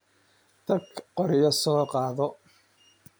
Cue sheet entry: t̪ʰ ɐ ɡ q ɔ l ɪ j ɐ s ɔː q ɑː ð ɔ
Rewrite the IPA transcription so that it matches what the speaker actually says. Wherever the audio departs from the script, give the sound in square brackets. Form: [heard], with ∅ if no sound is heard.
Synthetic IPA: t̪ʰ ɐ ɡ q ɔ [ɾ] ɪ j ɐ s ɔː q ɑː ð ɔ